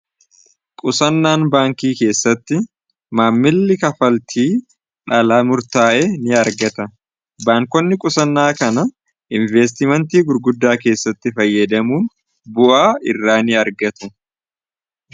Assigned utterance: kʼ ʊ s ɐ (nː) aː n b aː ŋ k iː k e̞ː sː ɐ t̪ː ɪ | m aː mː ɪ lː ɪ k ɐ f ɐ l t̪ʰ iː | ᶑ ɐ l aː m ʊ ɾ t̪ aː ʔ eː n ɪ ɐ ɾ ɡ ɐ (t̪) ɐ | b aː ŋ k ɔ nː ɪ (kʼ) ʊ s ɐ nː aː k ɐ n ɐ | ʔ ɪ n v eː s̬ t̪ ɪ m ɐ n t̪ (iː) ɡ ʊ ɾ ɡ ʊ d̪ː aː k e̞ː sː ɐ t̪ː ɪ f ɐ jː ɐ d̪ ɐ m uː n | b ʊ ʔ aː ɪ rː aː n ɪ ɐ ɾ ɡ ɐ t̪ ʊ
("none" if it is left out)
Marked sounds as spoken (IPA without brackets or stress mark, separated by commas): nː, t̪, kʼ, iː